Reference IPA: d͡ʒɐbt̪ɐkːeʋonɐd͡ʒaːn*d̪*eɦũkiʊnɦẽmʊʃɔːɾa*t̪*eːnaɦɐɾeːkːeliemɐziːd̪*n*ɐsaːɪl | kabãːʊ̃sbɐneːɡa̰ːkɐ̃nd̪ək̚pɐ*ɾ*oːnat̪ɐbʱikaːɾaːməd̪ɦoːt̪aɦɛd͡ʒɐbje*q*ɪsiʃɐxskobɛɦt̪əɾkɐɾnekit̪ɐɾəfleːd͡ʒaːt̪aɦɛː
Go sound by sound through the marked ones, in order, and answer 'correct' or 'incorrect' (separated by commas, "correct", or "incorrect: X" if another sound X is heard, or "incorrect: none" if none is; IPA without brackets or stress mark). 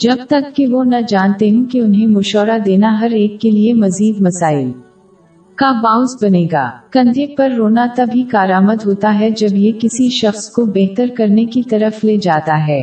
incorrect: t̪, incorrect: d̪, incorrect: m, incorrect: ɾː, incorrect: k